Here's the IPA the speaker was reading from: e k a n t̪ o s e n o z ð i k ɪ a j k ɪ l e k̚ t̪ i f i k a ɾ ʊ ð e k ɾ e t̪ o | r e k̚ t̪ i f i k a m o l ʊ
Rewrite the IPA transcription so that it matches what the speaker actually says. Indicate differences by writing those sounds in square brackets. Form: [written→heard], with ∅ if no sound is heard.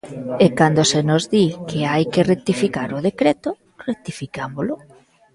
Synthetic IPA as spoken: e k a n [t̪→d̪] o s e n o z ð i k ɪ a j k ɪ [l→r] e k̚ t̪ i f i k a ɾ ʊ ð e k ɾ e t̪ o | r e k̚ t̪ i f i k a m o l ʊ

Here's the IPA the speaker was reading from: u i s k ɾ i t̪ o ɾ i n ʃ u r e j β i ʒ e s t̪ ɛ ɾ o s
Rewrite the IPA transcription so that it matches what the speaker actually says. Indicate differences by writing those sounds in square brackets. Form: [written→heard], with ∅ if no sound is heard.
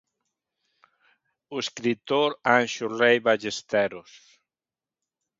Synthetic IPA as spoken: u [i→e] s k ɾ i t̪ o ɾ [i→a] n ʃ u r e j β [i→a] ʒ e s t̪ ɛ ɾ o s

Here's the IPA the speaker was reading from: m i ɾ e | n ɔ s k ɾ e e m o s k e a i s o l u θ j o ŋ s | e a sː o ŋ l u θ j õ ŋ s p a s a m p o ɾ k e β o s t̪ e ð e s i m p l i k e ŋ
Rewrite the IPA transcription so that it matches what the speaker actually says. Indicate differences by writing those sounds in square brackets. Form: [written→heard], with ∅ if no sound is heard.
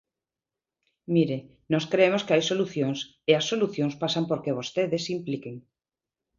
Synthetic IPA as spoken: m i ɾ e | n ɔ s k ɾ e e m o s k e a [i→j] s o l u θ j o ŋ s | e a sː o [ŋ→∅] l u θ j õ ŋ s p a s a m p o ɾ k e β o s t̪ e ð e s i m p l i k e ŋ

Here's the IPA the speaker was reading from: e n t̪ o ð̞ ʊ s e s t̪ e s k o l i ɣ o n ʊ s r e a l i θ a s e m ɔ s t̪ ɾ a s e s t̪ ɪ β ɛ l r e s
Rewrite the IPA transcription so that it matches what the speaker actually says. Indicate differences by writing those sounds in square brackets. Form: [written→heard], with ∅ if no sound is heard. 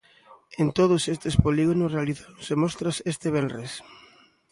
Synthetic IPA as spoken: e n t̪ o ð̞ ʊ s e s t̪ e s [k→p] o l i ɣ o n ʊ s r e a l i θ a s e m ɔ s t̪ ɾ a s e s t̪ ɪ β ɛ l r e s

